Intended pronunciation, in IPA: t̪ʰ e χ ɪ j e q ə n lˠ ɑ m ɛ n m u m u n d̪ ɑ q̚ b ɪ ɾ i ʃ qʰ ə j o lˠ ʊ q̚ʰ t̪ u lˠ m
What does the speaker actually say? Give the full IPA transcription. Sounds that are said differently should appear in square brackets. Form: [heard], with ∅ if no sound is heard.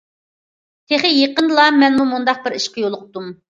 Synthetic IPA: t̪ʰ e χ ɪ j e q ə n lˠ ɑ m ɛ n m u m u n d̪ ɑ q̚ b ɪ ɾ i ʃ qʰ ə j o lˠ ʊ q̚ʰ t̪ u [∅] m